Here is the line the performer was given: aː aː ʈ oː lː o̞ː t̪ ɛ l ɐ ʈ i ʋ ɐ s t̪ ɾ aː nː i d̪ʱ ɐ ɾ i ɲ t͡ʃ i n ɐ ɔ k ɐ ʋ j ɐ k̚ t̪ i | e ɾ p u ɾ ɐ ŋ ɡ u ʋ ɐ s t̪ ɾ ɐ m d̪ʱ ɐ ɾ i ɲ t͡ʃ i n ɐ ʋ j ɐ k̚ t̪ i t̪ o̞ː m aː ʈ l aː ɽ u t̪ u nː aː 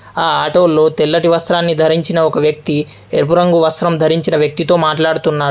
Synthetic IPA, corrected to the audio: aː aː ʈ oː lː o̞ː t̪ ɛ lː ɐ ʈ i ʋ ɐ s t̪ ɾ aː nː i d̪ʱ ɐ ɾ i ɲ t͡ʃ i n ɐ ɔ k ɐ ʋ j ɐ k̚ t̪ i | e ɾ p u ɾ ɐ ŋ ɡ u ʋ ɐ s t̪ ɾ ɐ m d̪ʱ ɐ ɾ i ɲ t͡ʃ i n ɐ ʋ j ɐ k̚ t̪ i t̪ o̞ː m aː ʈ l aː ɽ u t̪ u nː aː